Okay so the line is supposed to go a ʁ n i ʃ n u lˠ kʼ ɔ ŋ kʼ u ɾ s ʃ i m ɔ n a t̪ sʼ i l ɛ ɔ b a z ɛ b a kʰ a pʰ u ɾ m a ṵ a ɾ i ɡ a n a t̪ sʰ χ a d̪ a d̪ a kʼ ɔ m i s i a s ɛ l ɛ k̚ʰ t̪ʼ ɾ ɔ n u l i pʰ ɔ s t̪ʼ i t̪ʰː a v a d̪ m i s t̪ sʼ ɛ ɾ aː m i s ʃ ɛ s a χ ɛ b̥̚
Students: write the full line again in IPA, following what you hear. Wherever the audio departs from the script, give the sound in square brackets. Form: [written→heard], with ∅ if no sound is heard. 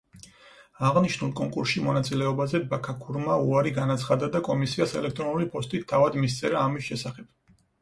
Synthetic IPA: a ʁ n i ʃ n u lˠ kʼ ɔ ŋ kʼ u ɾ s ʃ i m ɔ n a t̪ sʼ i l ɛ ɔ b a z ɛ b a kʰ a [pʰ→kʰ] u ɾ m a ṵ a ɾ i ɡ a n a t̪ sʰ χ a d̪ a d̪ a kʼ ɔ m i s i a s ɛ l ɛ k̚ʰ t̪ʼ ɾ ɔ n u l i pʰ ɔ s t̪ʼ i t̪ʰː a v a d̪ m i s t̪ sʼ ɛ ɾ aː m i s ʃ ɛ s a χ ɛ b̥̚